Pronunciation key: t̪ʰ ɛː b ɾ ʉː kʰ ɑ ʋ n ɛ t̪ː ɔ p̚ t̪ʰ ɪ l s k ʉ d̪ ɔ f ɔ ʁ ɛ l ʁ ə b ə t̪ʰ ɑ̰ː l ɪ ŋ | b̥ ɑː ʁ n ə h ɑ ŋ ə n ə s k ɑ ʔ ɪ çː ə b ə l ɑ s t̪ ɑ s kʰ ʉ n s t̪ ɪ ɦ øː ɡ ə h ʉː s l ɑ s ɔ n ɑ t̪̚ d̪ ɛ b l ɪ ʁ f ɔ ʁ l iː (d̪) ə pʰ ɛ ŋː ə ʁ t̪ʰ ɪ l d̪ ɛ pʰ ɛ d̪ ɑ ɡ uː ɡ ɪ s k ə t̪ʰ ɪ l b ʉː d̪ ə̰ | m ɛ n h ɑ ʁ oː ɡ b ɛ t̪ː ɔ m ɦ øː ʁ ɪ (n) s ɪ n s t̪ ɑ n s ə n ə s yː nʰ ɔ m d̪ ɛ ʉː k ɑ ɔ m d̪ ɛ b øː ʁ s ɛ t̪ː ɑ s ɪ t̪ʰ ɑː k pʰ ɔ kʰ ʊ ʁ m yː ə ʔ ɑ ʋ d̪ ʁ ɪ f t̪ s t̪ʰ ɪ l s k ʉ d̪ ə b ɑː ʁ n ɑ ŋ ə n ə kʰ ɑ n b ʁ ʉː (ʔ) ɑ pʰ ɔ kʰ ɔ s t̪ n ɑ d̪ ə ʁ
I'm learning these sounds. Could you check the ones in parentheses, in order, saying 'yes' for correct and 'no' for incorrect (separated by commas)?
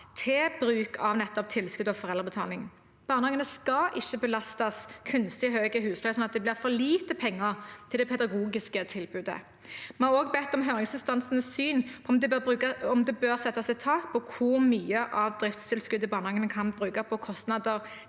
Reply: no, no, no